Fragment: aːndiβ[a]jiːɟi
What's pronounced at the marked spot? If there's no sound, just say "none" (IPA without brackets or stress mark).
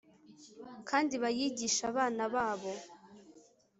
a